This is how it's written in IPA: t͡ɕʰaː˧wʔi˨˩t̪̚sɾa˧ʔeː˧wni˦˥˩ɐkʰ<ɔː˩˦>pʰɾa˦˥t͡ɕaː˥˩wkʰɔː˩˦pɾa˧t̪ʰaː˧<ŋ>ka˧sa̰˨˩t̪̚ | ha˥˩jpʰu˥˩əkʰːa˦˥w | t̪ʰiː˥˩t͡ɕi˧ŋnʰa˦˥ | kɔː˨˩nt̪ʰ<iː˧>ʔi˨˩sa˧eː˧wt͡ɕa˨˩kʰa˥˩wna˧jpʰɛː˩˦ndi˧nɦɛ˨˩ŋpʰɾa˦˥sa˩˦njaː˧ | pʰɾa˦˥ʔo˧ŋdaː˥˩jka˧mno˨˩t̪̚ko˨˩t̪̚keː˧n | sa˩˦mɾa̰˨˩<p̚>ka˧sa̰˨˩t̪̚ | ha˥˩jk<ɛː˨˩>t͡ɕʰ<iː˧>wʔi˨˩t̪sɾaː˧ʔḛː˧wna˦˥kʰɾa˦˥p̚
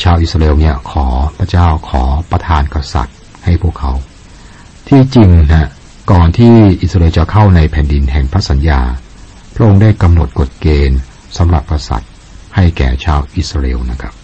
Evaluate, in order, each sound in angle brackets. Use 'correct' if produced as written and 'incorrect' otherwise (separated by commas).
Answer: correct, incorrect, incorrect, correct, correct, incorrect